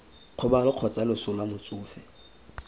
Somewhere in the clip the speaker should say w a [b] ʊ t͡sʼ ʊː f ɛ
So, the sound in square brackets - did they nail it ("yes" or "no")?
no